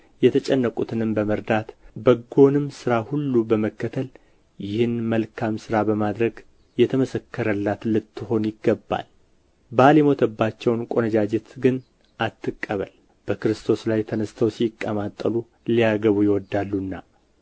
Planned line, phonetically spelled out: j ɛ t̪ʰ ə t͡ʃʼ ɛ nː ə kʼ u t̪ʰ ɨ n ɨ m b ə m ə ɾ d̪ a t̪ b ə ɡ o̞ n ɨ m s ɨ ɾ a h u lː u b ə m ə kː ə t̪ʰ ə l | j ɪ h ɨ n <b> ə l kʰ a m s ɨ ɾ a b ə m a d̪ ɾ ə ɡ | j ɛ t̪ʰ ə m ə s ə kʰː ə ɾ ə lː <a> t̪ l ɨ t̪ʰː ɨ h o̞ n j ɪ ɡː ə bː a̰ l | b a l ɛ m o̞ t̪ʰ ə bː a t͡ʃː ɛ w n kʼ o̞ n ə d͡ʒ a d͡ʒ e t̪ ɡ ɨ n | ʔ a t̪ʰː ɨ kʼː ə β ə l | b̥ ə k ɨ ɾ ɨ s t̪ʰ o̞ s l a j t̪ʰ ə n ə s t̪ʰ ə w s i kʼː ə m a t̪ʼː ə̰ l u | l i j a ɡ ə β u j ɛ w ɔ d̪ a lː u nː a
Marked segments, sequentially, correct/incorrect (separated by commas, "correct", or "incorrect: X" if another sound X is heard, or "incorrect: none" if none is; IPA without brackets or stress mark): incorrect: m, correct